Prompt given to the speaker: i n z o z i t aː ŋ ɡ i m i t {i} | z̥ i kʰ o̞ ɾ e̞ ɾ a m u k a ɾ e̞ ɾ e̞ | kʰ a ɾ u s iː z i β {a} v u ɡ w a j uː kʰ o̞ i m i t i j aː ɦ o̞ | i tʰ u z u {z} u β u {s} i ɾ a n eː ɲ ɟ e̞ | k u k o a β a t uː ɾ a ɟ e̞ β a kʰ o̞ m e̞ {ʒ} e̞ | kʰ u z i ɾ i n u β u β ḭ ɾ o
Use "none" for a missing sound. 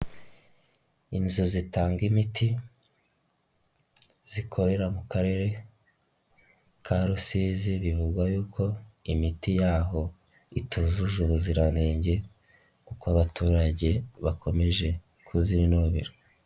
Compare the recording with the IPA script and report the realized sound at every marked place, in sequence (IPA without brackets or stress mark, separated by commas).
i, i, ʒ, z, ʒ